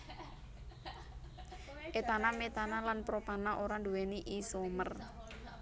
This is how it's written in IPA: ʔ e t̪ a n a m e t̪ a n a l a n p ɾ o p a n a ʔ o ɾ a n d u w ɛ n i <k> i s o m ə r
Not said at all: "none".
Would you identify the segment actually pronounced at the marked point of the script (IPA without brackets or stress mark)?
ʔ